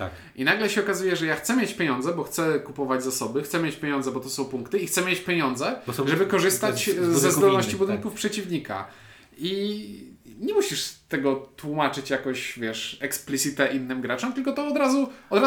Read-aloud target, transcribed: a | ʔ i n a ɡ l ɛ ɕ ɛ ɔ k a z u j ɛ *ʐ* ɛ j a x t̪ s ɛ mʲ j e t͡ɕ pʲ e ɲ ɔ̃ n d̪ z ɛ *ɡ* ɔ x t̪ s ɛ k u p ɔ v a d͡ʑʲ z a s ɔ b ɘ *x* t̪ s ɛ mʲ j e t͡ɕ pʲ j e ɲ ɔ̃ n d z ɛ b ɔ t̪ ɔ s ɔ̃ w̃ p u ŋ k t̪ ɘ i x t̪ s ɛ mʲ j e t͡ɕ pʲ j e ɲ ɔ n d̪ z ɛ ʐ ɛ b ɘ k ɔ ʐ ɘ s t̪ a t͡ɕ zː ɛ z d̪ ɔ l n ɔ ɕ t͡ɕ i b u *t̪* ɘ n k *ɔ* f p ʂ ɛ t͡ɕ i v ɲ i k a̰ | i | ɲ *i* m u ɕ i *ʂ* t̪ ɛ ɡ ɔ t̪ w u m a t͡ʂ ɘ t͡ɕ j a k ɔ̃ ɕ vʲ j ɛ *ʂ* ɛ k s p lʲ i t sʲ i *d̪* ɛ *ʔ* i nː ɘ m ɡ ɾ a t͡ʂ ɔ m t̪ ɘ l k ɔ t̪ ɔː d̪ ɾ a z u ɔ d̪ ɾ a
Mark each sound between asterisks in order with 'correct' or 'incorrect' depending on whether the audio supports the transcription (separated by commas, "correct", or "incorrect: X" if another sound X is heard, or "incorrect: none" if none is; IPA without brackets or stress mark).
correct, incorrect: b, correct, incorrect: d̪, incorrect: u, incorrect: ɛ, correct, correct, incorrect: t̪, correct